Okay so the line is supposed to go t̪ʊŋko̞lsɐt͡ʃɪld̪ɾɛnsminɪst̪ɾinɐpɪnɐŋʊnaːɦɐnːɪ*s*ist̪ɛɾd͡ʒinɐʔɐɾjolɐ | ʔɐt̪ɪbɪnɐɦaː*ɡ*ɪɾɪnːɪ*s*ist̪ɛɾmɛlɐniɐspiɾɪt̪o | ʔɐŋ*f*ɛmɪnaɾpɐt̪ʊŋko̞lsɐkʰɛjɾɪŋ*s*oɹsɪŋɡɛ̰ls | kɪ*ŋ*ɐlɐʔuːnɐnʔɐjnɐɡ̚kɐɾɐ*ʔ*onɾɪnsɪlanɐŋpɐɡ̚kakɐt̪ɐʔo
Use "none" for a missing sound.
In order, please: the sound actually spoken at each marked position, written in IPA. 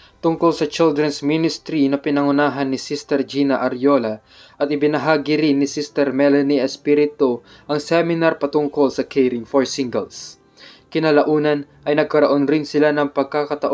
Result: s, ɡ, s, s, f, n, ʔ

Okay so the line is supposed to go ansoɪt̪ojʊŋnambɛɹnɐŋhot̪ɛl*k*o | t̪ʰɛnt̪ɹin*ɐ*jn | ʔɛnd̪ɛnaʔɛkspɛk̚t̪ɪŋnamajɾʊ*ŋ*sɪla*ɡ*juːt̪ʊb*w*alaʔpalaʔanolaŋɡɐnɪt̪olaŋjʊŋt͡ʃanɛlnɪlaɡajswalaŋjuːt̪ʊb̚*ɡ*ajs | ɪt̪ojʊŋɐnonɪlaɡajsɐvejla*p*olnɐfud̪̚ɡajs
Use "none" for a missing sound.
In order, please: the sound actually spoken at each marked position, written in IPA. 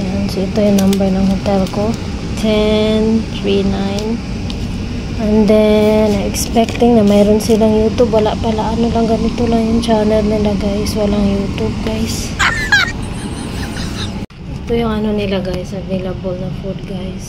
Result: k, a, n, ŋ, w, ɡ, b

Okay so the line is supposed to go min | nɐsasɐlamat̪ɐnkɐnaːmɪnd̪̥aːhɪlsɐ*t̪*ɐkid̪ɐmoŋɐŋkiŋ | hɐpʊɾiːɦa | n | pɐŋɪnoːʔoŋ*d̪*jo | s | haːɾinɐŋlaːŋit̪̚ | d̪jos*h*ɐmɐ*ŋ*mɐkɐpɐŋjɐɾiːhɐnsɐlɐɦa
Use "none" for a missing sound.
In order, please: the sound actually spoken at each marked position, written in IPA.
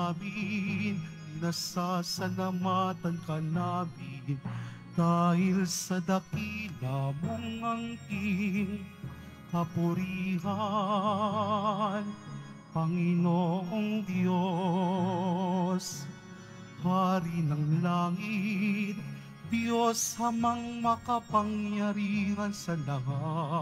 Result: d̪, d̪, h, ŋ

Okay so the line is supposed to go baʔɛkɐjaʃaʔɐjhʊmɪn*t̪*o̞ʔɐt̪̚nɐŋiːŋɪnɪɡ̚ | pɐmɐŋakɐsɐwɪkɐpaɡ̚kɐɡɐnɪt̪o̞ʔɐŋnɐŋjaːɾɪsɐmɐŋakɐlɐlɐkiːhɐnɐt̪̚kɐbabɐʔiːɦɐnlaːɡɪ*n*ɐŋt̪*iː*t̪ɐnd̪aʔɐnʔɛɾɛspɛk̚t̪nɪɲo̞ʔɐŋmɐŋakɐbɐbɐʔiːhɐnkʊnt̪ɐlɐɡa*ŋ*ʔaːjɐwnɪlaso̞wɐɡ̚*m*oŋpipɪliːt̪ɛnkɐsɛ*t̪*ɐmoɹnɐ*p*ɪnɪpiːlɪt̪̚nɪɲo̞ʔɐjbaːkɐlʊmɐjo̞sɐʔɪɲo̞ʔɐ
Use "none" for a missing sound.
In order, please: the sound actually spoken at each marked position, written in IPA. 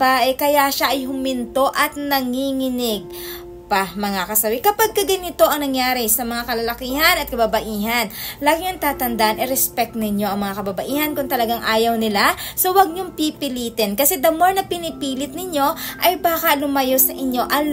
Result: t̪, ŋ, aː, ŋ, ɲ, d̪, p

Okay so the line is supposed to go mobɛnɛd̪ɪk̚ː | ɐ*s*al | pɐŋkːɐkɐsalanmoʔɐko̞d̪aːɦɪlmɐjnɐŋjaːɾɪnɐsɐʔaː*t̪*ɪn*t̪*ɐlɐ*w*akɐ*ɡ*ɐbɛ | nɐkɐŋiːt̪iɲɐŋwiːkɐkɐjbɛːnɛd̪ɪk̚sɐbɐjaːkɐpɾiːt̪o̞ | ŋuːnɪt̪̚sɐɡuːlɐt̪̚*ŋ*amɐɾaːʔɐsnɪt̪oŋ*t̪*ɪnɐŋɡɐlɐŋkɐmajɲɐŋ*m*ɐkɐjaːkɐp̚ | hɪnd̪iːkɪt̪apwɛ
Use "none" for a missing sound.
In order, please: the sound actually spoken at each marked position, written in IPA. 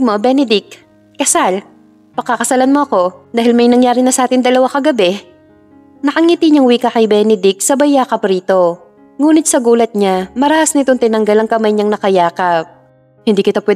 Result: s, t̪, d̪, w, ɡ, ɲ, t̪, n

